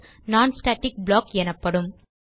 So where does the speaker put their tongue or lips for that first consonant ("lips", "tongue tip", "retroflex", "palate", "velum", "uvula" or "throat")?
tongue tip